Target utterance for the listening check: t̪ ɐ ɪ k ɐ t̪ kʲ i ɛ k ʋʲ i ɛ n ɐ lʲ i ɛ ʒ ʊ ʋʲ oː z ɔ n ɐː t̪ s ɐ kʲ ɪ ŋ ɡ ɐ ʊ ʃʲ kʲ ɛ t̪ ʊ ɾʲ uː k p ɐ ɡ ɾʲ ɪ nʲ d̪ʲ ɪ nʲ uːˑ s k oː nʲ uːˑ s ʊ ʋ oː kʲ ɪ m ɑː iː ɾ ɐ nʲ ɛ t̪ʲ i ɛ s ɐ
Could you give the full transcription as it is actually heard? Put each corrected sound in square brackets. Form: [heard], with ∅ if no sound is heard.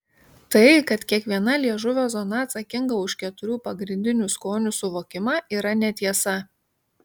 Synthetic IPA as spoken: t̪ ɐ ɪ k ɐ t̪ kʲ i ɛ k ʋʲ i ɛ n ɐ lʲ i ɛ ʒ ʊ ʋʲ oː z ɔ n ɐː t̪ s ɐ kʲ ɪ ŋ ɡ ɐ ʊ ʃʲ kʲ ɛ t̪ ʊ ɾʲ uː [∅] p ɐ ɡ ɾʲ ɪ nʲ d̪ʲ ɪ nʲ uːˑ s k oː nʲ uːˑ s ʊ ʋ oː kʲ ɪ m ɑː iː ɾ ɐ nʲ ɛ t̪ʲ i ɛ s ɐ